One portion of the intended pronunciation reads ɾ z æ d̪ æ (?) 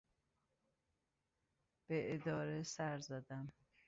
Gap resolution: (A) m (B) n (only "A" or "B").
A